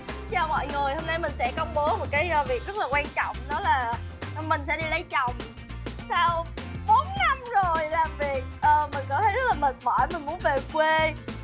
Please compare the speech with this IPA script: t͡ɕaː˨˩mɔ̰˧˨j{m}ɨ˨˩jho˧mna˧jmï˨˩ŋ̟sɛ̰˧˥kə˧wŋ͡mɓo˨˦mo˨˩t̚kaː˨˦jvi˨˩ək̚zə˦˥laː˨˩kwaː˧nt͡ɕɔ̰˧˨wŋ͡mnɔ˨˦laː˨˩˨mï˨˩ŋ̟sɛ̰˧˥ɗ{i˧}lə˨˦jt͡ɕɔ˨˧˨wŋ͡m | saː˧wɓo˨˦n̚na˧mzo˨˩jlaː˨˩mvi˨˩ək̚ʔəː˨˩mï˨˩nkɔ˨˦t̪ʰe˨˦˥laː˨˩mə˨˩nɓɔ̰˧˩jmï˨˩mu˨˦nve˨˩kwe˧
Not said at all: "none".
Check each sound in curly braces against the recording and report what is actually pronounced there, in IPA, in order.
ŋ, i˧

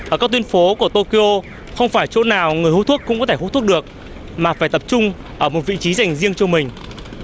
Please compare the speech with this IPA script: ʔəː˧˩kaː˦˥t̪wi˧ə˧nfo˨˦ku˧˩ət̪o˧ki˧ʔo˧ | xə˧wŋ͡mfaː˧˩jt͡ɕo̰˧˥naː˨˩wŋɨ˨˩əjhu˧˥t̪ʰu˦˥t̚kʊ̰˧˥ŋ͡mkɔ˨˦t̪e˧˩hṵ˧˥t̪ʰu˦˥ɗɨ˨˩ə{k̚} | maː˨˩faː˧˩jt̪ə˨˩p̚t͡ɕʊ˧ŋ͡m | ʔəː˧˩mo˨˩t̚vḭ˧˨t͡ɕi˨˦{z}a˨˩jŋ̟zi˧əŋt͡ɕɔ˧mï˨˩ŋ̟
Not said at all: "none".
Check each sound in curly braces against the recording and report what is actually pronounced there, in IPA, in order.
k̚, z

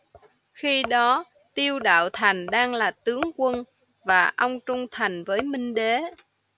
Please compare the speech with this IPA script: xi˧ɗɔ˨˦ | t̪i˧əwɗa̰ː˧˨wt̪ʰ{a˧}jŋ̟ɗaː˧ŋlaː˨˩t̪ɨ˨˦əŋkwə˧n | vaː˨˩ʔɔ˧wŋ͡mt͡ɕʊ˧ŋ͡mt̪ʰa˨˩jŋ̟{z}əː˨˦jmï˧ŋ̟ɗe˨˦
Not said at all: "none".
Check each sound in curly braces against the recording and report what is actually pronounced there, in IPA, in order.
a˨˩, v

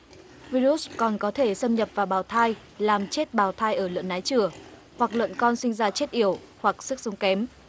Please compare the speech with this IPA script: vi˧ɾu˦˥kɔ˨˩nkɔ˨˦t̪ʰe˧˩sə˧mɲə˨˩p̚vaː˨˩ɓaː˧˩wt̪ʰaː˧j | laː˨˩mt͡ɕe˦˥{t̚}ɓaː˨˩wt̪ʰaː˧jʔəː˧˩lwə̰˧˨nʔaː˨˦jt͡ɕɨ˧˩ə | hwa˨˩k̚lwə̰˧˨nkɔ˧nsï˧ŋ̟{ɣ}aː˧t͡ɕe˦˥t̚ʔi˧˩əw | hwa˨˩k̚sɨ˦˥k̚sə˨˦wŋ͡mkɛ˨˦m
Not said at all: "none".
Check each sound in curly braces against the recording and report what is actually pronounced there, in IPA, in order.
t̚, z

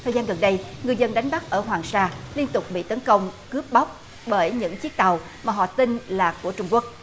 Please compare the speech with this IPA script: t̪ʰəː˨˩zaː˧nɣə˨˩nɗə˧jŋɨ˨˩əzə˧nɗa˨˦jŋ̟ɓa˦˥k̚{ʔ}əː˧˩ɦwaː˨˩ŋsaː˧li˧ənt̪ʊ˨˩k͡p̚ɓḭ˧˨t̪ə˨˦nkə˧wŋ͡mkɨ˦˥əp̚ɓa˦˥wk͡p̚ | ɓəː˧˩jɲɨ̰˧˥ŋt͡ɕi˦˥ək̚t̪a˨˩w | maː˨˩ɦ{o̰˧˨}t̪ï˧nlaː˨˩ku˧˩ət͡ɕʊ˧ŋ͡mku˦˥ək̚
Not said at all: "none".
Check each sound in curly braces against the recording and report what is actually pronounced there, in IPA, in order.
ʔ, ɔ̰˧˨

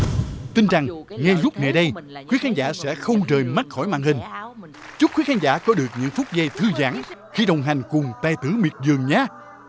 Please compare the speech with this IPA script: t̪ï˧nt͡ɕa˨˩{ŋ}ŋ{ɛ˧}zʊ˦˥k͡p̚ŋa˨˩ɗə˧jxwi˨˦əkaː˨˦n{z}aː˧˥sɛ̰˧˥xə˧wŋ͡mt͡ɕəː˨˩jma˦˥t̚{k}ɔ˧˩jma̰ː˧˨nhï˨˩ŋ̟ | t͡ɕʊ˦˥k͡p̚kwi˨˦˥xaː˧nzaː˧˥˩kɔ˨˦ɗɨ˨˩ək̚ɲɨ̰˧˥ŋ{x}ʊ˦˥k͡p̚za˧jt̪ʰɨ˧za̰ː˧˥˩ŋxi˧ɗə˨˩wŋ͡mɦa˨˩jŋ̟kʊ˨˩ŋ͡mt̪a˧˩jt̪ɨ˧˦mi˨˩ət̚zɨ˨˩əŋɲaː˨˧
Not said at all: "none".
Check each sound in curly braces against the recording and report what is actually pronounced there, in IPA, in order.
ŋ, ɛ˧, z, x, f

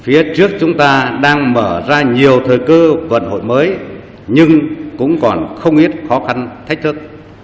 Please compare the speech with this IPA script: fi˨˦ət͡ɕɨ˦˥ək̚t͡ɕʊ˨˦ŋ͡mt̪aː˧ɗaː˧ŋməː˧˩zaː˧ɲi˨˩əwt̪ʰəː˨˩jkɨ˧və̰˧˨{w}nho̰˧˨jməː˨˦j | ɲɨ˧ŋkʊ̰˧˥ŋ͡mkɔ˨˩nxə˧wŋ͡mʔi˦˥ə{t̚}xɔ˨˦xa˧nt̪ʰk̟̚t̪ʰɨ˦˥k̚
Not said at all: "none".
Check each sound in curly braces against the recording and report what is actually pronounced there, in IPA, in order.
none, t̚

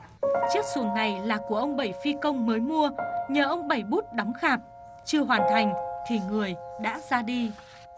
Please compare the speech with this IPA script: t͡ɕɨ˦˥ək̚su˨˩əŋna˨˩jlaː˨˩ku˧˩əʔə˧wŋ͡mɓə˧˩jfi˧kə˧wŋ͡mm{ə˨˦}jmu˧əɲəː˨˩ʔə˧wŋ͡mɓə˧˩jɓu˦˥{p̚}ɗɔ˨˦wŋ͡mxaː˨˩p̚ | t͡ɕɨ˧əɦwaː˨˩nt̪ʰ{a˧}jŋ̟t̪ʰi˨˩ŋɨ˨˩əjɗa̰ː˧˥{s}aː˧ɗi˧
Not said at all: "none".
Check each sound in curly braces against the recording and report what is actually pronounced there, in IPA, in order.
əː˨˦, t̚, a˨˩, z

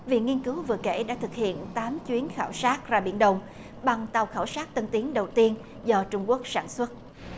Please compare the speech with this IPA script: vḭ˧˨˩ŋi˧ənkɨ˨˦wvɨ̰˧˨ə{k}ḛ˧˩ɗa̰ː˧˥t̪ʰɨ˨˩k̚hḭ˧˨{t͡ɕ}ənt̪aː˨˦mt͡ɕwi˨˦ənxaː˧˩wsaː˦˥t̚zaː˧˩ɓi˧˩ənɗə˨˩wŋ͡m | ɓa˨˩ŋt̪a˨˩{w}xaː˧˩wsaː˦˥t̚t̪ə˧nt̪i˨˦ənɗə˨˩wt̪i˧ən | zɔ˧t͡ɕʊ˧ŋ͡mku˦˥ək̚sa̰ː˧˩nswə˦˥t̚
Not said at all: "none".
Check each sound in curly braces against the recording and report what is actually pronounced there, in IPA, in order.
k, none, w

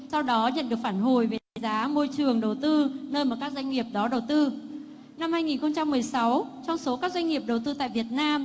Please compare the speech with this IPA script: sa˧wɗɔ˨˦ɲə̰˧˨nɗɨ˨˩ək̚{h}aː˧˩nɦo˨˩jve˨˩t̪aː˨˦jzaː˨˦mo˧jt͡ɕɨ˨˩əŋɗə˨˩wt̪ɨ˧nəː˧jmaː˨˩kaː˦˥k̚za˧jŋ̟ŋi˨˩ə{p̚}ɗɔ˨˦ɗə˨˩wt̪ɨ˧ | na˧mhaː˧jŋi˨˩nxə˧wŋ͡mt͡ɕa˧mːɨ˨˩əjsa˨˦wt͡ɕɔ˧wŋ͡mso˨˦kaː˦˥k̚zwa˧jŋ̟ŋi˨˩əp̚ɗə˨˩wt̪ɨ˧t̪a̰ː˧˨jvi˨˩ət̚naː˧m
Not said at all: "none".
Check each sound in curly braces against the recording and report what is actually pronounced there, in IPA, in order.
f, p̚

